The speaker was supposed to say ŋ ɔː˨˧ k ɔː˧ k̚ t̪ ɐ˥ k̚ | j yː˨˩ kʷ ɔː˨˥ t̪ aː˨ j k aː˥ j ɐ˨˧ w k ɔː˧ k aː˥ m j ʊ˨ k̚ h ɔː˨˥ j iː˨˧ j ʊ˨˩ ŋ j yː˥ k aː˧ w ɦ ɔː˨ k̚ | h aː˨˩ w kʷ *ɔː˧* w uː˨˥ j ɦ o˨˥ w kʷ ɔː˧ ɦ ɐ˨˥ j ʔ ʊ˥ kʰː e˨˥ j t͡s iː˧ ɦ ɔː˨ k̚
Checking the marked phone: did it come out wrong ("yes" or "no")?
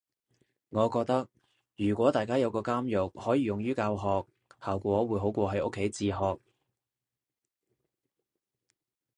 yes